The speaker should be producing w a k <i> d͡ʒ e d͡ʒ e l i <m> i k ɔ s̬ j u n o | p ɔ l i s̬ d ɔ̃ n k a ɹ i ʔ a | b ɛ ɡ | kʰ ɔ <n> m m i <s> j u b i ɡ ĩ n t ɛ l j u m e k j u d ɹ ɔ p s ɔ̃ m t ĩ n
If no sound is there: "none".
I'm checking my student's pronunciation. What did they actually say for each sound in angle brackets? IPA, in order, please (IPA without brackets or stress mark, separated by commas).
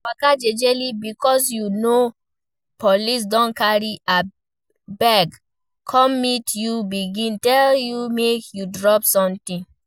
a, b, none, t